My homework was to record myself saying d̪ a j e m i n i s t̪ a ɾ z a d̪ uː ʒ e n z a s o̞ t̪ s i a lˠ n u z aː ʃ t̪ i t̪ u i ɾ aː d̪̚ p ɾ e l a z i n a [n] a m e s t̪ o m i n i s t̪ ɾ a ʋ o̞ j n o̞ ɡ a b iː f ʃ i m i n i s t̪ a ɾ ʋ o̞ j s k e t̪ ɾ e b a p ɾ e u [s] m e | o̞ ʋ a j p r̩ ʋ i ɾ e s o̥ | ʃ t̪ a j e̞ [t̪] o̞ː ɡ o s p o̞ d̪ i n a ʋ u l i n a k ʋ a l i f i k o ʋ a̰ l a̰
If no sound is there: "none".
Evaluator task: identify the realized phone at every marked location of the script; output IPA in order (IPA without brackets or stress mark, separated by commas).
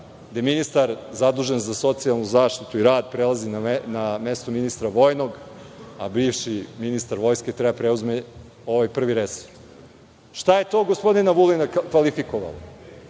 n, z, t̪